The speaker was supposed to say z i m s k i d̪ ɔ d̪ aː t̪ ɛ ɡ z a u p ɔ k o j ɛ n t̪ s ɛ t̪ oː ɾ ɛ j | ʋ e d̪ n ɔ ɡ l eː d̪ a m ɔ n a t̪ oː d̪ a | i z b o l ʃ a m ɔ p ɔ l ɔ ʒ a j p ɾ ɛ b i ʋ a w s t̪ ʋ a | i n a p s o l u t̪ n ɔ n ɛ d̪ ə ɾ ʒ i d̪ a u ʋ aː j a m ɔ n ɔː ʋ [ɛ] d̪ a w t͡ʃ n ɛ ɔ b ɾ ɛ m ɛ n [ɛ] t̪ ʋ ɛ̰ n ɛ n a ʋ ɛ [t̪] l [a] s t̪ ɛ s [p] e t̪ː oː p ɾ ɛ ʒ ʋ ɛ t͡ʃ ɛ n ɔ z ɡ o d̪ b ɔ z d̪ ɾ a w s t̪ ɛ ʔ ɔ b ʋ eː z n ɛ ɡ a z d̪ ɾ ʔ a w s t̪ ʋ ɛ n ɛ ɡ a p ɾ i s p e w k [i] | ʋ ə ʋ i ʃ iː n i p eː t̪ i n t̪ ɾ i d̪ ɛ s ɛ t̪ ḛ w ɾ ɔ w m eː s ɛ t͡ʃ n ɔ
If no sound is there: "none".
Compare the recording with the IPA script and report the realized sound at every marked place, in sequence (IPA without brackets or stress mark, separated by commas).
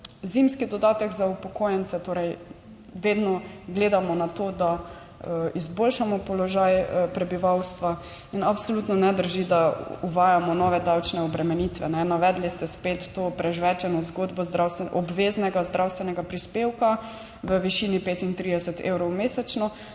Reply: ɛ, i, d̪, i, p, a